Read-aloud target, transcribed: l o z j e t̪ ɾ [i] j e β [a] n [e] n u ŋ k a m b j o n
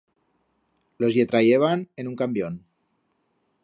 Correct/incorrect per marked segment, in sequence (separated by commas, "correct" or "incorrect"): incorrect, correct, correct